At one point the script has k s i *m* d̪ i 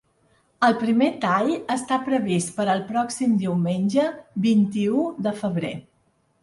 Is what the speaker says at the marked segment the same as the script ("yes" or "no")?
yes